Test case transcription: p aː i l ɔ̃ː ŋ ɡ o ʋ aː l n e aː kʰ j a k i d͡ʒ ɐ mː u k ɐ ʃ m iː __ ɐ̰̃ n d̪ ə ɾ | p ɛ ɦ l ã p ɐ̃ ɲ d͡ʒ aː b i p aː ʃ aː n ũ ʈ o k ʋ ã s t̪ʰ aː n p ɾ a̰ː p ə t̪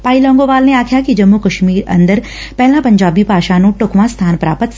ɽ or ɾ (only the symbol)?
ɾ